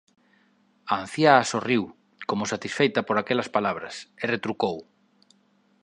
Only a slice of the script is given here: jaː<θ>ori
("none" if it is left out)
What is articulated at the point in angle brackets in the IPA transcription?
s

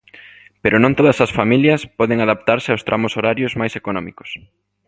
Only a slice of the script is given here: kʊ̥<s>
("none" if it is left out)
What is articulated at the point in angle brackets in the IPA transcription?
s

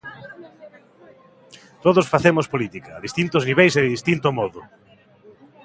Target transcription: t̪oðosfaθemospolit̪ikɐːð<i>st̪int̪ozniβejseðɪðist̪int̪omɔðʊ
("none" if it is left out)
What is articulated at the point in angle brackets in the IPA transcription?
i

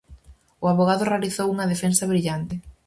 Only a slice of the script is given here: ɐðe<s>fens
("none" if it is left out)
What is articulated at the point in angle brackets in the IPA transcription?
none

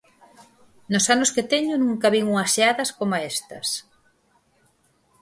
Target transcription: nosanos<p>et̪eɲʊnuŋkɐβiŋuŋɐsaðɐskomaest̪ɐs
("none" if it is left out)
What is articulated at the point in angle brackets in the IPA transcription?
k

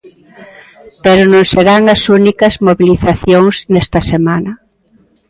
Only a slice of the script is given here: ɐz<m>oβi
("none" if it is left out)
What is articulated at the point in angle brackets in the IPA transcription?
m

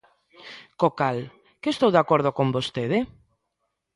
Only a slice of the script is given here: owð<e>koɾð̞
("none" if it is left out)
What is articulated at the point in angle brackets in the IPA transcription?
a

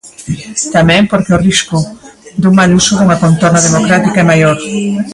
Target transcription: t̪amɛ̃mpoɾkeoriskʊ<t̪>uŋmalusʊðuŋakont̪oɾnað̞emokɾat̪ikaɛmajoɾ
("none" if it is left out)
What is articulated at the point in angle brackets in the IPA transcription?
d̪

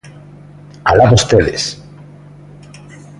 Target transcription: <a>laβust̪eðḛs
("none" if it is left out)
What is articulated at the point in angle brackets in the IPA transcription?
a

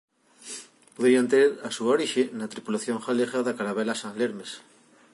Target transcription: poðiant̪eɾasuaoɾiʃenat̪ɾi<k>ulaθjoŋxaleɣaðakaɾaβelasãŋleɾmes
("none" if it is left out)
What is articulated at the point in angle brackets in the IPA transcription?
p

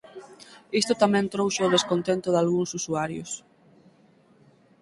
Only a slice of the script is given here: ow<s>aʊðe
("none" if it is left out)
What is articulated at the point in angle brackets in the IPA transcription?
ʃ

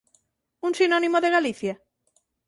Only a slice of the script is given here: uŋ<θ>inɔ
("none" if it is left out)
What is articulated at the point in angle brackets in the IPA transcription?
s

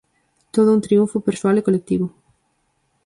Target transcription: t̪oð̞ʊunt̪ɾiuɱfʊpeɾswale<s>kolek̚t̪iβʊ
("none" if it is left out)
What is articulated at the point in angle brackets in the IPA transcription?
none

